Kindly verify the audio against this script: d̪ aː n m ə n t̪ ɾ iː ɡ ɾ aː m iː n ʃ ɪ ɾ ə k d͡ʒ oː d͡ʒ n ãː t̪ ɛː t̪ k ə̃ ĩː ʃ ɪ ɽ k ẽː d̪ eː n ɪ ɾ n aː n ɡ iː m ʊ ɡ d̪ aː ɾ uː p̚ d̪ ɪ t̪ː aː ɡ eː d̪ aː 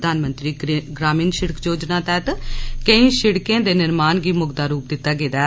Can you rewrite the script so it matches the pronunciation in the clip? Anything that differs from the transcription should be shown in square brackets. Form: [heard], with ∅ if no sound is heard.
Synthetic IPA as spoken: d̪ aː n m ə n t̪ ɾ iː ɡ ɾ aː m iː n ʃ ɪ [ɽ] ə k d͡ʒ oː d͡ʒ n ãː t̪ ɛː t̪ k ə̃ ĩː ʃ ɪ ɽ k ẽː d̪ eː n ɪ ɾ [m] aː n ɡ iː m ʊ ɡ d̪ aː ɾ uː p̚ d̪ ɪ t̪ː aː ɡ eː d̪ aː